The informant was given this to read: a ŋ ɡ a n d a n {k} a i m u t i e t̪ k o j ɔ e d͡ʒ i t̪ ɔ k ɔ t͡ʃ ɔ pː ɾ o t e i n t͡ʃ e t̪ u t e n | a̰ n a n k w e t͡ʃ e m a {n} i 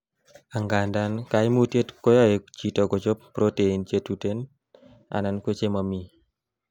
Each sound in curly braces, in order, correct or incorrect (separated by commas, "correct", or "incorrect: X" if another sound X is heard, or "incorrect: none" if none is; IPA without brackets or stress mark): correct, incorrect: m